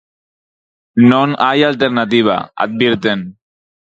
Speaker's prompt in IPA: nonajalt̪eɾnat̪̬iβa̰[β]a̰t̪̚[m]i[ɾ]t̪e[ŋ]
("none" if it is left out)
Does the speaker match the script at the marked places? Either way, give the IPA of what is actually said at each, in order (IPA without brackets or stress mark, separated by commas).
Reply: none, b, ɾ, n